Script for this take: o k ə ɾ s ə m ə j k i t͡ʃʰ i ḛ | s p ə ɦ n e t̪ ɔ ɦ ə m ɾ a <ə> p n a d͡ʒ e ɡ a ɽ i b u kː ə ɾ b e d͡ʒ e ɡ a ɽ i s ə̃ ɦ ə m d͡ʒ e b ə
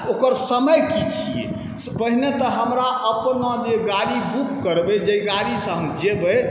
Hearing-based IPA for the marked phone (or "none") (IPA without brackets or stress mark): ə